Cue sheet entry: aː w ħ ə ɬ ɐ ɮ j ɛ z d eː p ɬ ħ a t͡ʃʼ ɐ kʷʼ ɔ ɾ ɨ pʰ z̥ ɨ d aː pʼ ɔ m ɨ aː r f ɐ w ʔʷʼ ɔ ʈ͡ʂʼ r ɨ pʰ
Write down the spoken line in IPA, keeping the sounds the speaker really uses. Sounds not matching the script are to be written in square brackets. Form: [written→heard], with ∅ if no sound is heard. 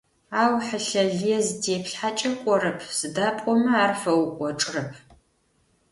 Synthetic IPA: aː w ħ ə ɬ ɐ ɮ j ɛ z d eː p ɬ ħ a t͡ʃʼ ɐ kʷʼ ɔ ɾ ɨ pʰ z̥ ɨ d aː pʼ ɔ m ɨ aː r f ɐ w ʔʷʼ ɔ ʈ͡ʂʼ r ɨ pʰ